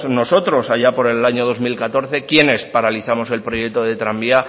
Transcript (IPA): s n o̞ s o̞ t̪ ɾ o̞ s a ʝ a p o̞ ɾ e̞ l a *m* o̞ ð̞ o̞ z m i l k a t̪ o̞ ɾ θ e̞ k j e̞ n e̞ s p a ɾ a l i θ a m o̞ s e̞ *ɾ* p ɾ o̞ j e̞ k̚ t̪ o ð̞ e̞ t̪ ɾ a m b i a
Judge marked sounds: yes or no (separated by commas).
no, no